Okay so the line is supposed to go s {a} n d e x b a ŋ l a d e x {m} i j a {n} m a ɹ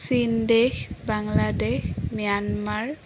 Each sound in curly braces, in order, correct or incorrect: incorrect, correct, correct

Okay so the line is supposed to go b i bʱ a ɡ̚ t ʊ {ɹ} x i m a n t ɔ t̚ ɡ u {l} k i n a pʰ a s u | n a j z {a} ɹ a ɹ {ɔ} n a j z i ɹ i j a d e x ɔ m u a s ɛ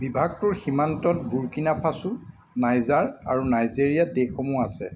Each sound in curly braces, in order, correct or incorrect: correct, incorrect, correct, incorrect

